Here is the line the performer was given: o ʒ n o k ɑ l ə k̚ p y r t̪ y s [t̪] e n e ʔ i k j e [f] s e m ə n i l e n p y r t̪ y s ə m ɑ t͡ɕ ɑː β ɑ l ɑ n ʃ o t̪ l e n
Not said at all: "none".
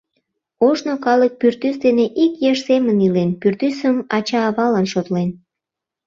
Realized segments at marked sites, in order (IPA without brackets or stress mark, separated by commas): d̪, ʃ